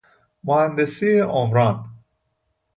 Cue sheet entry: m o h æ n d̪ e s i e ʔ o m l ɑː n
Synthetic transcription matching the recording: m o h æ n d̪ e s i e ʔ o m ɾ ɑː n